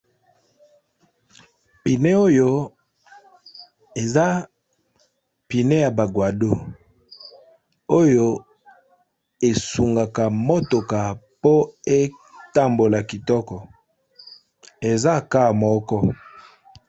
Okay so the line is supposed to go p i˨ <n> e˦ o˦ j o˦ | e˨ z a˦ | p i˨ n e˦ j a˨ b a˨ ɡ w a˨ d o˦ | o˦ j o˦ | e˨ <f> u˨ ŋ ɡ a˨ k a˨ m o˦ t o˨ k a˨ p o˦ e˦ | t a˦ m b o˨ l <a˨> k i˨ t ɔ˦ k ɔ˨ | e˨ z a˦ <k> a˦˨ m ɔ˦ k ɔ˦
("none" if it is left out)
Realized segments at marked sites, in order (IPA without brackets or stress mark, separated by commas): n, s, a˨, k